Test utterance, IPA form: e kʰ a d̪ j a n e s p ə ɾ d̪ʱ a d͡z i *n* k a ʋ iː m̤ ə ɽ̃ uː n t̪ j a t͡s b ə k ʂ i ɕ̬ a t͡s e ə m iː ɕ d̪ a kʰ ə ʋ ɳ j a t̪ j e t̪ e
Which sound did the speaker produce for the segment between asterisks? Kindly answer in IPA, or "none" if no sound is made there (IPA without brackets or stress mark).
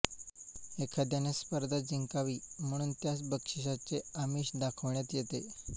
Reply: ŋ